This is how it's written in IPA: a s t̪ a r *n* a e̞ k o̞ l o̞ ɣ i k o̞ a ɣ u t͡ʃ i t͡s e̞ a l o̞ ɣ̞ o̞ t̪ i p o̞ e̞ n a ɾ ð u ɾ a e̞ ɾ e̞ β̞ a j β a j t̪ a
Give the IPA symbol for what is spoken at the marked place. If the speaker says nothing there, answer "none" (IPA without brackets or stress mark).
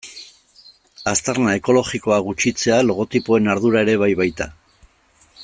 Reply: n